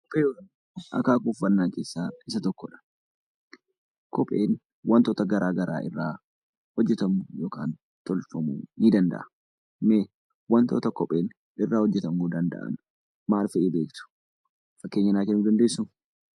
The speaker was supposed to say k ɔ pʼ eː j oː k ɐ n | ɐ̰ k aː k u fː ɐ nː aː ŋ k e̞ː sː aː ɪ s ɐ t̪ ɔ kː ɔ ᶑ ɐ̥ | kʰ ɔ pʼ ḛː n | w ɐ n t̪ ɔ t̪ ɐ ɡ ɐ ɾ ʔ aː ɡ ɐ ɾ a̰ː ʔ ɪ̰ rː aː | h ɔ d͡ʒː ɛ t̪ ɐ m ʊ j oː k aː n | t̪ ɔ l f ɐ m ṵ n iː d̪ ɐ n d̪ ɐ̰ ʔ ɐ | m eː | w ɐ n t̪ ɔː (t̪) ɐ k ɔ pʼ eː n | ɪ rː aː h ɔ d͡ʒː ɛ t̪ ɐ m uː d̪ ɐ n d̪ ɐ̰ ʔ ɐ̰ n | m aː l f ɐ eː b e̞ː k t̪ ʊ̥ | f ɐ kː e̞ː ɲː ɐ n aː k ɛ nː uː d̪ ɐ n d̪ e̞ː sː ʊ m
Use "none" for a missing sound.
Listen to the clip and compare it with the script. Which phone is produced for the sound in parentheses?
t̪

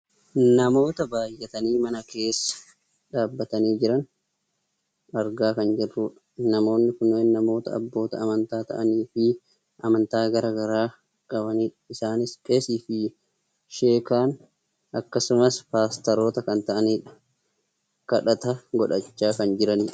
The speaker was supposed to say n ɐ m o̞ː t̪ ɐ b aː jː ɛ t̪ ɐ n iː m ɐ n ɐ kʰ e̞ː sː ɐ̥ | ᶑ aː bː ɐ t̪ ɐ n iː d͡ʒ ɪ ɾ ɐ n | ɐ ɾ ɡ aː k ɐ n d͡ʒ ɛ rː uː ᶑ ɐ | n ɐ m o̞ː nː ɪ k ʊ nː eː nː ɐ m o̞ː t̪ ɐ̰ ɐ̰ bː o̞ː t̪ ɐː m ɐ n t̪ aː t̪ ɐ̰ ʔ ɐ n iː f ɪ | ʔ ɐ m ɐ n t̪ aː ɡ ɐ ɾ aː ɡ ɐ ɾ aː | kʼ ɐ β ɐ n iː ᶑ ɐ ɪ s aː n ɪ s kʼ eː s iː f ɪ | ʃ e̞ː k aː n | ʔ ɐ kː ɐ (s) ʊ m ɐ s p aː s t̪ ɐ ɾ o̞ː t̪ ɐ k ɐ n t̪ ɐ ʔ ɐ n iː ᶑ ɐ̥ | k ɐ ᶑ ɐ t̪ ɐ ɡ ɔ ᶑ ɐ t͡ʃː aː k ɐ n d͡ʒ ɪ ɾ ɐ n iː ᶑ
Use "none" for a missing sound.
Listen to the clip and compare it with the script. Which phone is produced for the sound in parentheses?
s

